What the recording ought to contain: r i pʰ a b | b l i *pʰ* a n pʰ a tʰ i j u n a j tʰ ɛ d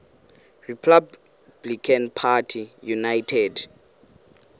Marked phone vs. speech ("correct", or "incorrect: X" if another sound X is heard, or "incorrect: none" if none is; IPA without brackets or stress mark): incorrect: kʰ